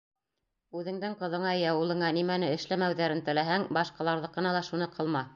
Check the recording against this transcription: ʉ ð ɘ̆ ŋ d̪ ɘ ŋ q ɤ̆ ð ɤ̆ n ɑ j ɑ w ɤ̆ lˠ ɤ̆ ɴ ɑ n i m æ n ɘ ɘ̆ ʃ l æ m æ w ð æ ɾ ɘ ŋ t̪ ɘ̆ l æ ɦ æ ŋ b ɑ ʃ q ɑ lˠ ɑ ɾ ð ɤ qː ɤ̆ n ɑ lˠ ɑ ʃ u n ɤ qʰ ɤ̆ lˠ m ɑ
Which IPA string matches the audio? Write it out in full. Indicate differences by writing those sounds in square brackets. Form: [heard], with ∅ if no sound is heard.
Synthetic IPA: ʉ ð ɘ̆ ŋ d̪ ɘ ŋ q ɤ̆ ð ɤ̆ [ɴ] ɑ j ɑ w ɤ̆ lˠ ɤ̆ ɴ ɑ n i m æ n ɘ ɘ̆ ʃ l æ m æ w ð æ ɾ ɘ [n] t̪ ɘ̆ l æ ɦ æ ŋ b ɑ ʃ q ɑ lˠ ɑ ɾ ð ɤ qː ɤ̆ n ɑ lˠ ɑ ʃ u n ɤ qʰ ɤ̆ lˠ m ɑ